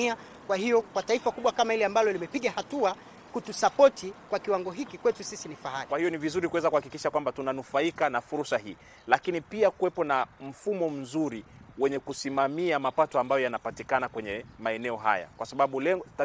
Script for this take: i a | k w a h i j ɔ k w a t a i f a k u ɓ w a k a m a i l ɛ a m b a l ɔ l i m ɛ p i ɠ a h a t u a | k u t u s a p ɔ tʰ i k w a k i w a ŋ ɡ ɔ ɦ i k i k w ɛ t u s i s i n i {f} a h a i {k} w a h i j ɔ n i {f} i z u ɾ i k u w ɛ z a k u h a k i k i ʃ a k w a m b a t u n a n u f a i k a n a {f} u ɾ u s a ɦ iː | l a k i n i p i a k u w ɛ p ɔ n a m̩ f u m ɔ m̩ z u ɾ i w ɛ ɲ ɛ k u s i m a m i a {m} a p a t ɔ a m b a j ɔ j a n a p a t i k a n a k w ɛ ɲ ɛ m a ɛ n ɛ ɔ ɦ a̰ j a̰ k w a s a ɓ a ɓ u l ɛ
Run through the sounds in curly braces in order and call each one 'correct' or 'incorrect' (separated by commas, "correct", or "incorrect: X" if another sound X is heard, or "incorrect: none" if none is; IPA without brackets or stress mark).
correct, correct, incorrect: v, correct, correct